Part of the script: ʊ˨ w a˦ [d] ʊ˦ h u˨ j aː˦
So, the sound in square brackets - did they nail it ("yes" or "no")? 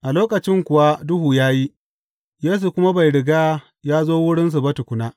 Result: yes